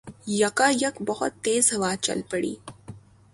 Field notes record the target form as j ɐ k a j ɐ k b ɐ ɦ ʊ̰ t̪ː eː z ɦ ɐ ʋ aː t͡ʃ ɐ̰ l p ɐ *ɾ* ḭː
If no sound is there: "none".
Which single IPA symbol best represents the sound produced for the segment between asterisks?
ɽ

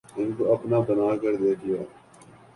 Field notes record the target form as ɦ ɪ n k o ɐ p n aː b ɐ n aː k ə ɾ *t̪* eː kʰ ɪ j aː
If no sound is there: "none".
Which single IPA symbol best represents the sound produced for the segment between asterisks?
d̪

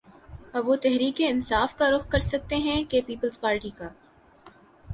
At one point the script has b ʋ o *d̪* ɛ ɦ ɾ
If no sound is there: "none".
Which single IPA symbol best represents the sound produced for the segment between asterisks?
t̪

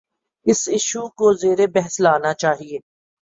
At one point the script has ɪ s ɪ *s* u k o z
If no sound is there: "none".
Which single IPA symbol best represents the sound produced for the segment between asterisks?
ʃ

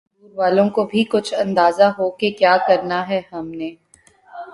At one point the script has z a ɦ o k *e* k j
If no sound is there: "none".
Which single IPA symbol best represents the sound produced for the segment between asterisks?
e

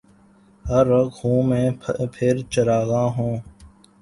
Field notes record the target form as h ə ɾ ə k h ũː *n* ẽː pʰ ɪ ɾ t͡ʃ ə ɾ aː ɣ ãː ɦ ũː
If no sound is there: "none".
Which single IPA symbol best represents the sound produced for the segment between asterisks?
m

